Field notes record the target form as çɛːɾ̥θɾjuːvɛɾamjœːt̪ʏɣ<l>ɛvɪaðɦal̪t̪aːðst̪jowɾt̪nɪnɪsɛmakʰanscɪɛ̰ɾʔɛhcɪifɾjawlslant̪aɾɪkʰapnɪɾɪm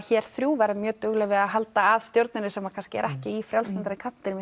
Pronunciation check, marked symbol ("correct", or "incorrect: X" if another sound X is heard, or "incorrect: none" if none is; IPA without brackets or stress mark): correct